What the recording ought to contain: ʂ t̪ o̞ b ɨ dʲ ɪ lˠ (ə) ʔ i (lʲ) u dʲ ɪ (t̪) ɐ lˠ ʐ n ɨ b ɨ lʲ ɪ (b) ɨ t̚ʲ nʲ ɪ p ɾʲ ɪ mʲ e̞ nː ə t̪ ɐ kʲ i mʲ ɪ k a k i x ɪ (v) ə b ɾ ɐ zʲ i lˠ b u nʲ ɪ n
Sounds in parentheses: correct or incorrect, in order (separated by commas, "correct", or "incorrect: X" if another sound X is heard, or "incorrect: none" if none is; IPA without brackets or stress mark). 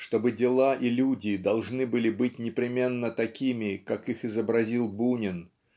incorrect: a, correct, incorrect: d̪, correct, incorrect: z